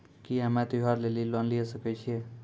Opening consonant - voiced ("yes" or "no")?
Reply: no